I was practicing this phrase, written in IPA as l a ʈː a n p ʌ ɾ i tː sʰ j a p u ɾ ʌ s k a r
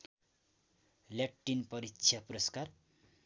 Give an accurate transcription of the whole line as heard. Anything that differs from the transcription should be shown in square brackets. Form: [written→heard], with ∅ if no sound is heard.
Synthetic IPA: l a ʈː [a→i] n p ʌ ɾ i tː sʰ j a p u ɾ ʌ s k a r